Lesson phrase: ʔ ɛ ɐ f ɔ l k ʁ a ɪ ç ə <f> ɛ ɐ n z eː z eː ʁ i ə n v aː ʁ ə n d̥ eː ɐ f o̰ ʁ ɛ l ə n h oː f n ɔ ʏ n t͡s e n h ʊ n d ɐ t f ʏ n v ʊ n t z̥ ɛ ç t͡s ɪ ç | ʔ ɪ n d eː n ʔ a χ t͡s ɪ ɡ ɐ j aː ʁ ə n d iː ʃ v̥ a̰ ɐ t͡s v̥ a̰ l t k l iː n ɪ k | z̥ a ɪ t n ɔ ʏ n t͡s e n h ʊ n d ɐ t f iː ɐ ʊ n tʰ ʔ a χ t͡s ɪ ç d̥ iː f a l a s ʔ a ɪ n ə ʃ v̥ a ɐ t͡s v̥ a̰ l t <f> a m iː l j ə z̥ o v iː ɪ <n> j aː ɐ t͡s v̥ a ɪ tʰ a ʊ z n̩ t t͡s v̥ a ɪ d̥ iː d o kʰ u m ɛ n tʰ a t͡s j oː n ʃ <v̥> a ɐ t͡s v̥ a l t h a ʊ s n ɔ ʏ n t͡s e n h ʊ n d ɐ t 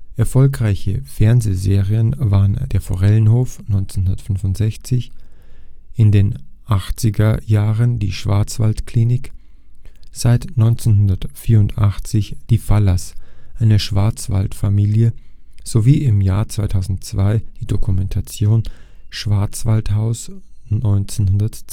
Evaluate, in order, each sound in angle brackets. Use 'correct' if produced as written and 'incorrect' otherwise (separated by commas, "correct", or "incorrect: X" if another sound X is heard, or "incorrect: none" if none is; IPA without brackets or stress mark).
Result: correct, correct, incorrect: m, correct